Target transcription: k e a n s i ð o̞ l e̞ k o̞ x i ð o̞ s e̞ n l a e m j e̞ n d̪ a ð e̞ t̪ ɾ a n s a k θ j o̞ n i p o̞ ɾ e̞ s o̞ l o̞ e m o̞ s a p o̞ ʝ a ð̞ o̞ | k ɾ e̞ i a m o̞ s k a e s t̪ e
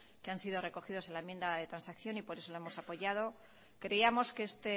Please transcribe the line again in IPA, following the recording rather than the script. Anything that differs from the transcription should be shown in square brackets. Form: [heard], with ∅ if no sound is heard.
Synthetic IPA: k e a n s i ð o̞ [r] e̞ k o̞ x i ð o̞ s e̞ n l a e m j e̞ n d̪ a ð e̞ t̪ ɾ a n s a k θ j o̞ n i p o̞ ɾ e̞ s o̞ l o̞ e m o̞ s a p o̞ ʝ a ð̞ o̞ | k ɾ e̞ i a m o̞ s k [e] e s t̪ e

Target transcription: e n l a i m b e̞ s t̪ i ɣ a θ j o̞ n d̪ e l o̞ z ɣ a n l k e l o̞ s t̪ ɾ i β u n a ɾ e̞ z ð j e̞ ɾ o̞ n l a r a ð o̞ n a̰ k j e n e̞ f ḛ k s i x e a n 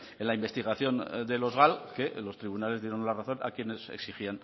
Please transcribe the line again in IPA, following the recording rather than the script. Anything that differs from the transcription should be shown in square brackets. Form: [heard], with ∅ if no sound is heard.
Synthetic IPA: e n l a i m b e̞ s t̪ i ɣ a θ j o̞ n d̪ e l o̞ z ɣ a [∅] l k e l o̞ s t̪ ɾ i β u n a [l] e̞ z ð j e̞ ɾ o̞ n l a r a [θ] o̞ n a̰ k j e n e̞ [s] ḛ k s i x [i] a n

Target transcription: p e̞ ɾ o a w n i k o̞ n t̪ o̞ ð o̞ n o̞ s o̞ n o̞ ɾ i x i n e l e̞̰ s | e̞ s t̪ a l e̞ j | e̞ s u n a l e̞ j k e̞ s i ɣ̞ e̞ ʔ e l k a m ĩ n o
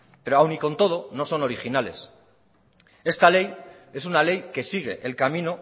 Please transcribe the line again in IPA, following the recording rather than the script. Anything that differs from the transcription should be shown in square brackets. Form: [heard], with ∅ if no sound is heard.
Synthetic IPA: p e̞ ɾ o a w n i k o̞ n t̪ o̞ ð o̞ n o̞ s o̞ n o̞ ɾ i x i n [a] l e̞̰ s | e̞ s t̪ a l e̞ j | e̞ s u n a l e̞ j k e̞ s i ɣ̞ e̞ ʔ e l k a m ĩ n o

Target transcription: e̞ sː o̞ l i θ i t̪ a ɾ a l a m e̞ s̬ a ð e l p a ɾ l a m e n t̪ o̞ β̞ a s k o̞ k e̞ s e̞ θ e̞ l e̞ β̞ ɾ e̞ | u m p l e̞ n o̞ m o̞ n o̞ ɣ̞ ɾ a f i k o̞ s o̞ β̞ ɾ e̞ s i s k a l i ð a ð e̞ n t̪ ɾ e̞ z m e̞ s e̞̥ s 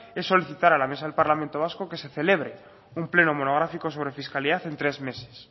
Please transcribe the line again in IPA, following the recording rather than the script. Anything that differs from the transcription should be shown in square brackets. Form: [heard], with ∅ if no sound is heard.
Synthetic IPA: e̞ sː o̞ l i θ i t̪ a ɾ a l a m e̞ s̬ a ð e l p a ɾ l a m e n t̪ o̞ β̞ a s k o̞ k e̞ s e̞ θ e̞ l e̞ β̞ ɾ e̞ | u m p l e̞ n o̞ m o̞ n o̞ ɣ̞ ɾ a f i k o̞ s o̞ β̞ ɾ e̞ [f] i s k a l i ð a [θ] e̞ n t̪ ɾ e̞ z m e̞ s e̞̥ s

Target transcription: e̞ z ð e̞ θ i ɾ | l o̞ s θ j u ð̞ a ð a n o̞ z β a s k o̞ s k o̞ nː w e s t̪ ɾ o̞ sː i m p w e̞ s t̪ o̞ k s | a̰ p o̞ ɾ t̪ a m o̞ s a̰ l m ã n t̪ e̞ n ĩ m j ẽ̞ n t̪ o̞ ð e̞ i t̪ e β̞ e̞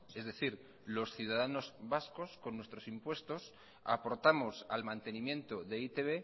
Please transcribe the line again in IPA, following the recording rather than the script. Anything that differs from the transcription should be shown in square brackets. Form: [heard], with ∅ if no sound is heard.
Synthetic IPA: e̞ z ð e̞ θ i ɾ | l o̞ s θ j u ð̞ a ð a n o̞ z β a s k o̞ s k o̞ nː w e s t̪ ɾ o̞ [s] i m p w e̞ s t̪ o̞ [∅] s | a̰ p o̞ ɾ t̪ a m o̞ s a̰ l m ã n t̪ e̞ n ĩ m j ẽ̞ n t̪ o̞ ð e̞ i t̪ e β̞ e̞

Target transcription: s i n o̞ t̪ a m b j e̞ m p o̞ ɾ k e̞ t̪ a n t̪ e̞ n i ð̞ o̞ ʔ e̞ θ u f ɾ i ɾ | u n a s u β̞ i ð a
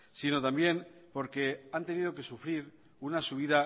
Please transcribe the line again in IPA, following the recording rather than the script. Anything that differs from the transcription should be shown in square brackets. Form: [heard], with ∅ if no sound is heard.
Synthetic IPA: s i n o̞ t̪ a m b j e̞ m p o̞ ɾ k e̞ [∅] a n t̪ e̞ n i ð̞ o̞ [k] e̞ [s] u f ɾ i ɾ | u n a s u β̞ i ð a

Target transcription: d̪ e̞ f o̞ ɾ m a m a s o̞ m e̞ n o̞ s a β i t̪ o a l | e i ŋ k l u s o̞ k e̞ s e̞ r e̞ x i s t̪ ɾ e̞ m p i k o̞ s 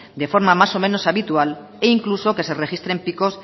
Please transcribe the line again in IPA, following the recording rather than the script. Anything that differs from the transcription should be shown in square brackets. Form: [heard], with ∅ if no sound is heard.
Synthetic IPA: d̪ e̞ f o̞ ɾ m a m a s o̞ m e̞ n o̞ s a β i t̪ [u] a l | e i ŋ k l u s o̞ k e̞ s e̞ r e̞ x i s t̪ ɾ e̞ m p i k o̞ s

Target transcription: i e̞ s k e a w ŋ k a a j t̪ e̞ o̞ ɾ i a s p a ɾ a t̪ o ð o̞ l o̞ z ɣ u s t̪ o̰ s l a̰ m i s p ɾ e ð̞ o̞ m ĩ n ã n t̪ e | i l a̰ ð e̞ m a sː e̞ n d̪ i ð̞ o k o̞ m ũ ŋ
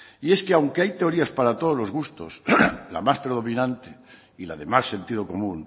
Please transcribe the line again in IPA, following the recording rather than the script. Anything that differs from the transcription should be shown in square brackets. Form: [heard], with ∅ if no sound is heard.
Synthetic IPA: i e̞ s k e a w ŋ k [e] a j t̪ e̞ o̞ ɾ i a s p a ɾ a t̪ o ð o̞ l o̞ z ɣ u s t̪ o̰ s l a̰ m [a] s p ɾ e ð̞ o̞ m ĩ n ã n t̪ e | i l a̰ ð e̞ m a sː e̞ n [t̪] i ð̞ o k o̞ m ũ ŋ

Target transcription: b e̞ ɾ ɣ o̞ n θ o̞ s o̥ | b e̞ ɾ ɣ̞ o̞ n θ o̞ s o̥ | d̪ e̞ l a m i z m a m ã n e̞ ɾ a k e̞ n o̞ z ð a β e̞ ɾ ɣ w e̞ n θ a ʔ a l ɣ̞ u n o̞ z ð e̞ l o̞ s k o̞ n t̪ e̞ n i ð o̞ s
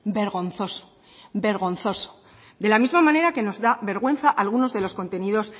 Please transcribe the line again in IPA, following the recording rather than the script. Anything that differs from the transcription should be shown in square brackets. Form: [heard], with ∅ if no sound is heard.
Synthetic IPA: b e̞ ɾ ɣ o̞ n θ o̞ s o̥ | b e̞ ɾ ɣ̞ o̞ n θ o̞ s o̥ | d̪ e̞ l a m i z m a m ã n e̞ ɾ a k e̞ n o̞ z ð a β e̞ ɾ ɣ w e̞ n θ a ʔ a l ɣ̞ u n o̞ z ð e̞ l o̞ s k o̞ n t̪ e̞ n i ð o̞ s

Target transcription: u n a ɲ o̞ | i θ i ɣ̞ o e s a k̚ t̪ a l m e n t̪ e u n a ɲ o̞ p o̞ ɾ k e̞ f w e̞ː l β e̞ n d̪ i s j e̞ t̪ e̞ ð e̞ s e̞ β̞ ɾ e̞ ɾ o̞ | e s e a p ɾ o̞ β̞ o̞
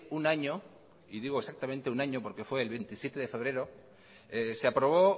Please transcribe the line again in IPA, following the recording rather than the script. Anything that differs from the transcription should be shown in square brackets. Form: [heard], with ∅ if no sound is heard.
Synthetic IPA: u n a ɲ o̞ | i [ð] i ɣ̞ o e s a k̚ t̪ a [∅] m e n t̪ e u n a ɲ o̞ p o̞ ɾ k e̞ f w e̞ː l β e̞ n [t̪] i s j e̞ t̪ e̞ ð e̞ [f] e̞ β̞ ɾ e̞ ɾ o̞ | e s e a p ɾ o̞ β̞ o̞

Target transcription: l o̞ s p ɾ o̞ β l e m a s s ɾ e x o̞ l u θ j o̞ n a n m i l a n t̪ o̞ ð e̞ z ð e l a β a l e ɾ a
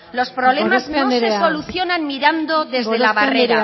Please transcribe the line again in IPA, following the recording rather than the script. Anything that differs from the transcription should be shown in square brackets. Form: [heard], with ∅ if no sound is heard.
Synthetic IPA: l o̞ s p ɾ o̞ β l e m a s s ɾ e [s] o̞ l u θ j o̞ n a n m i [ɾ] a n [d̪] o̞ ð e̞ z ð e l a β a [r] e ɾ a

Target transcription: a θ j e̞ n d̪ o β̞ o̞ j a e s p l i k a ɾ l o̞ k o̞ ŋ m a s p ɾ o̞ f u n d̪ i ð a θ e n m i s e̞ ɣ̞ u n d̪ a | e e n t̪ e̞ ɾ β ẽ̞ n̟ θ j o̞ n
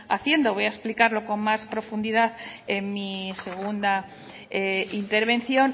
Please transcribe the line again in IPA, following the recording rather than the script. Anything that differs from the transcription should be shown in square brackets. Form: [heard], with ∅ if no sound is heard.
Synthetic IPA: a θ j e̞ n d̪ o β̞ o̞ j a e s p l i k a ɾ l o̞ k o̞ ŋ m a s p ɾ o̞ f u n d̪ i ð a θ e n m i s e̞ ɣ̞ u n d̪ a | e [i] n t̪ e̞ ɾ β [e̞] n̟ θ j o̞ n

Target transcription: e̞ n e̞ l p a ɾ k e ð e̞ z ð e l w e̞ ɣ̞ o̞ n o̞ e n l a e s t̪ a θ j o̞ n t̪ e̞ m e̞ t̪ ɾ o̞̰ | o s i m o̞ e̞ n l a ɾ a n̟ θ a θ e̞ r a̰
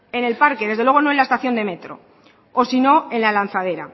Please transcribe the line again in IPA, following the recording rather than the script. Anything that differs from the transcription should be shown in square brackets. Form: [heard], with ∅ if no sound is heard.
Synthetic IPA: e̞ n e̞ l p a ɾ k e ð e̞ z ð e l w e̞ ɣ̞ o̞ n o̞ e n l a e s t̪ a θ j o̞ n [d̪] e̞ m e̞ t̪ ɾ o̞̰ | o s i [n] o̞ e̞ n l a [l] a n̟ θ a [ð] e̞ [ɾ] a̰

